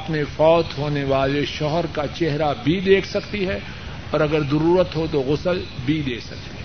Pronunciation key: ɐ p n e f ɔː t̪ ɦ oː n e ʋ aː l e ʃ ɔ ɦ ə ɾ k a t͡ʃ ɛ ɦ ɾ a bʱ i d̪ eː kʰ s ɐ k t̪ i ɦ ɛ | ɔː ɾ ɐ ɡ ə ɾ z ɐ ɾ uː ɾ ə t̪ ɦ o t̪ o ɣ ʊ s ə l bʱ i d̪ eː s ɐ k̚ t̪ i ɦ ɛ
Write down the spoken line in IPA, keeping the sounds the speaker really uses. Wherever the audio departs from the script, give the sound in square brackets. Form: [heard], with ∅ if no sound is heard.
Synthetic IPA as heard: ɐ p n e f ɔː t̪ ɦ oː n e ʋ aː l e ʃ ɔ ɦ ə ɾ k a t͡ʃ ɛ ɦ ɾ a bʱ i d̪ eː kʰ s ɐ k t̪ i ɦ ɛ | ɔː ɾ ɐ ɡ ə ɾ z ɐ ɾ uː ɾ ə t̪ ɦ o t̪ o ɣ ʊ s ə l bʱ i d̪ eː s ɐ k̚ t̪ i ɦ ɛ